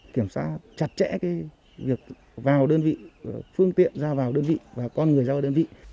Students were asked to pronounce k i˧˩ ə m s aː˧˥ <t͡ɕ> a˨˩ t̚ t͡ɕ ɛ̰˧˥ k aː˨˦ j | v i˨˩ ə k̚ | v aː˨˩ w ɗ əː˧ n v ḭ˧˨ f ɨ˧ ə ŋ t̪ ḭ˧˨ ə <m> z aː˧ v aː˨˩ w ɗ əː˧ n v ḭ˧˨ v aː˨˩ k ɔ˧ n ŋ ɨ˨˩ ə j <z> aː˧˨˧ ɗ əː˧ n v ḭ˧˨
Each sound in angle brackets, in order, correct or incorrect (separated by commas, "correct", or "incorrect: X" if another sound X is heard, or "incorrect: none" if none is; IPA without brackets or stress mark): correct, incorrect: n, correct